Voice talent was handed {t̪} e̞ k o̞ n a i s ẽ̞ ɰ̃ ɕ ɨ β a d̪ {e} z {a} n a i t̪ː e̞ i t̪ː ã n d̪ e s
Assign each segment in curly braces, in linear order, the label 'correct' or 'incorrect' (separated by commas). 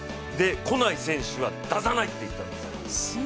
incorrect, incorrect, correct